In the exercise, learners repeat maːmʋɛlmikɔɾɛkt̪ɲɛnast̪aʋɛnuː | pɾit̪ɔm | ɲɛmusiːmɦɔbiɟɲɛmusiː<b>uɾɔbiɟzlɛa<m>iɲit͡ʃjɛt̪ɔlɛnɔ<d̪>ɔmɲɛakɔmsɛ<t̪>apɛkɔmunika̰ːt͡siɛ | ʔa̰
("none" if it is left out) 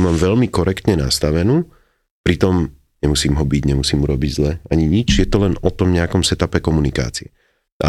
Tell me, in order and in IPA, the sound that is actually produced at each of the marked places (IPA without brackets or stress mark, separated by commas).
m, ɲ, t̪, t̪